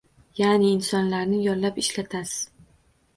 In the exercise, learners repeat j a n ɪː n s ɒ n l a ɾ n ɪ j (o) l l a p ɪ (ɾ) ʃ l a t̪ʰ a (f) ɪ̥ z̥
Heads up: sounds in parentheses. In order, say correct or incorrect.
incorrect: ɒ, incorrect: none, incorrect: s

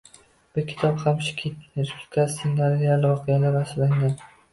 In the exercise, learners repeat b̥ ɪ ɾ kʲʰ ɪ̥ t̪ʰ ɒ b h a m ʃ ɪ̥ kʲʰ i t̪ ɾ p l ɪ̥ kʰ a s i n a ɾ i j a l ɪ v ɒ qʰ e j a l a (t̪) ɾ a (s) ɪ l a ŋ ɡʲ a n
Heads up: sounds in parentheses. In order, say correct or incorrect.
incorrect: none, correct

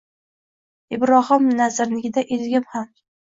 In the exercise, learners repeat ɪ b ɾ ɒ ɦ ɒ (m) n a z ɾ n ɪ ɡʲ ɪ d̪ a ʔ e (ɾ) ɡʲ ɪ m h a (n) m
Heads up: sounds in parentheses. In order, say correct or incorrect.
correct, incorrect: l, incorrect: none

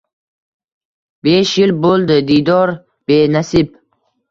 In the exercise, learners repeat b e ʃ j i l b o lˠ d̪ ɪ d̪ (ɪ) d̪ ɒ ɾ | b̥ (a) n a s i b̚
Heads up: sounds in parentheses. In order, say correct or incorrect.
incorrect: i, incorrect: e

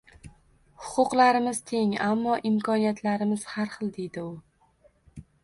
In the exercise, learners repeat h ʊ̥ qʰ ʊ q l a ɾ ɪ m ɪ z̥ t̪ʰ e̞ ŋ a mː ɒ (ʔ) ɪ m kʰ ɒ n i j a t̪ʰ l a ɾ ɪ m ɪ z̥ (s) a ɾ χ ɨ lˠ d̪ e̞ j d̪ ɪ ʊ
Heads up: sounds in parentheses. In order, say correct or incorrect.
correct, incorrect: h

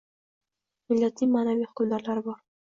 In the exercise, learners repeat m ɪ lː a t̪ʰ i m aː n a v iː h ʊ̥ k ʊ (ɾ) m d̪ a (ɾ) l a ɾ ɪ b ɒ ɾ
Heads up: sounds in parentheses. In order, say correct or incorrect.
incorrect: none, correct

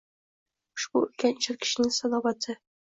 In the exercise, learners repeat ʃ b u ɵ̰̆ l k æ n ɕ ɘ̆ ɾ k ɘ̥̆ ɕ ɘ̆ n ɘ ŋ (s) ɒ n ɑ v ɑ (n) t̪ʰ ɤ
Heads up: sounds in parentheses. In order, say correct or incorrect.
correct, incorrect: none

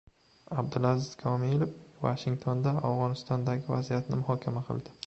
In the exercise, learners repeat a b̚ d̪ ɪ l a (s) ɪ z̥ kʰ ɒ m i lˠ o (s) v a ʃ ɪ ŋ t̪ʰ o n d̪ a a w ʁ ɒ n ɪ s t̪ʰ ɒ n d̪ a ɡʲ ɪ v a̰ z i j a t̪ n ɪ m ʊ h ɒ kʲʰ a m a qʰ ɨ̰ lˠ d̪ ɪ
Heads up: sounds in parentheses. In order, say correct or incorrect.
incorrect: z, incorrect: f

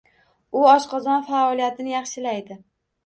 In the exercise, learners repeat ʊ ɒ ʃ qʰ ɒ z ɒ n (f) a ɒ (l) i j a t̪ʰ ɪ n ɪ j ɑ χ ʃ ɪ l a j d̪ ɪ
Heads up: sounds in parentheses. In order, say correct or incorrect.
correct, correct

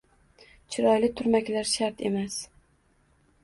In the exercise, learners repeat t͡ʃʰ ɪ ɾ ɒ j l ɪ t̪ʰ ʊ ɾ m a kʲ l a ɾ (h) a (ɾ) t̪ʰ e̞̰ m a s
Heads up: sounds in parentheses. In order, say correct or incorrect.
incorrect: ʃ, correct

